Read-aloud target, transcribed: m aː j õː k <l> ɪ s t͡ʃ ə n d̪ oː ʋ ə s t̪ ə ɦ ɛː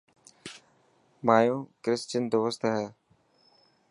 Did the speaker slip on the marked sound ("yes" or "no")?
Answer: yes